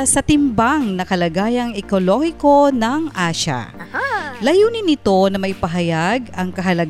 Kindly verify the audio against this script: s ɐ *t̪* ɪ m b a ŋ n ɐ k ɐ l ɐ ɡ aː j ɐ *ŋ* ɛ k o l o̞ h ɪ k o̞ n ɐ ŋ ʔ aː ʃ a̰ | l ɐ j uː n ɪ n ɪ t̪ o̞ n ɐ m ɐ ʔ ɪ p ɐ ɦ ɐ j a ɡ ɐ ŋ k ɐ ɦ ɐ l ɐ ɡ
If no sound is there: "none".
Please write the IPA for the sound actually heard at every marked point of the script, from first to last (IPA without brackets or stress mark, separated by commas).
t̪, ŋ